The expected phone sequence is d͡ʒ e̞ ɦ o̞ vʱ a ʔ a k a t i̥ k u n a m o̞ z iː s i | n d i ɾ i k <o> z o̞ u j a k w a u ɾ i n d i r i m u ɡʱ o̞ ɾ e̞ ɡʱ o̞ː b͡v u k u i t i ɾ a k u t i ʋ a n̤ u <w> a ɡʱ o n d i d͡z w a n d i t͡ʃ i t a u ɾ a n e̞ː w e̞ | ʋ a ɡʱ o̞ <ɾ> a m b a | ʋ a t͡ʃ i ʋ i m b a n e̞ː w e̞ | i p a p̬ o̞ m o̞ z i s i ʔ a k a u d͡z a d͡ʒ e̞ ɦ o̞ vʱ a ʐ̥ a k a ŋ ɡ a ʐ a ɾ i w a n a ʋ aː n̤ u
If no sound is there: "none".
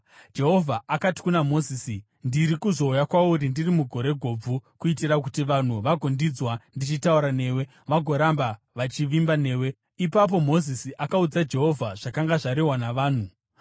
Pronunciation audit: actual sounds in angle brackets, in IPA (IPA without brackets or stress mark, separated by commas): u, ʋ, ɾ